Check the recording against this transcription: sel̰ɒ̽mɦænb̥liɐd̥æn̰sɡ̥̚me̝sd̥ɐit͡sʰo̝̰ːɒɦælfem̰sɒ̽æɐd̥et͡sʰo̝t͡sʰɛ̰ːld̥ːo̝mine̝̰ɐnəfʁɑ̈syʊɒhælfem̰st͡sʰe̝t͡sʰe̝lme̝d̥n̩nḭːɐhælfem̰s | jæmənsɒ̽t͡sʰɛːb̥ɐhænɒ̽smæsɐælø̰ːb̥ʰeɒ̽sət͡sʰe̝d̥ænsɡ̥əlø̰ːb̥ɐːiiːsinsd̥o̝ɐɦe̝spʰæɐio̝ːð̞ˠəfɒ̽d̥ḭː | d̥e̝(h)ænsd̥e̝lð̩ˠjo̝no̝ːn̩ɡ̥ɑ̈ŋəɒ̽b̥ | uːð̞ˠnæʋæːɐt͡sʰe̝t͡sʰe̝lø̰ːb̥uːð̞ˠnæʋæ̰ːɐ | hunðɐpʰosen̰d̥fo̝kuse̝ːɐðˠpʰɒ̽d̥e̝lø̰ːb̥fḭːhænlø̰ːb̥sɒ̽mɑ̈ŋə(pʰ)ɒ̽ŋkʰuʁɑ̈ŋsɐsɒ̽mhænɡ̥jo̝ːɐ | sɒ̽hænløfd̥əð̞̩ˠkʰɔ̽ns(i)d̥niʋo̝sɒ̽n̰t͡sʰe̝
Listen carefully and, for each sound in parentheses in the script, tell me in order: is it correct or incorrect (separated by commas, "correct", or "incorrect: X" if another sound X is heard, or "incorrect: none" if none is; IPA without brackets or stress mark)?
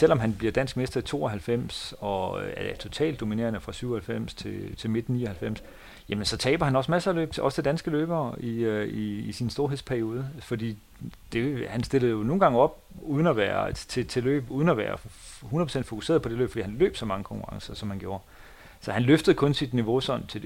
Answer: correct, incorrect: kʰ, correct